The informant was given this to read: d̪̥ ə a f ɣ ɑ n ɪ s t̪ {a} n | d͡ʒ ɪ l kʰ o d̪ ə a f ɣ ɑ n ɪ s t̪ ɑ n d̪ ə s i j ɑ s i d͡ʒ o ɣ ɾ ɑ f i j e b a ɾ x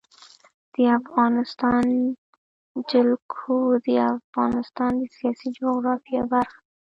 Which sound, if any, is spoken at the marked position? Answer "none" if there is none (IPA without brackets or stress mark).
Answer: ɑ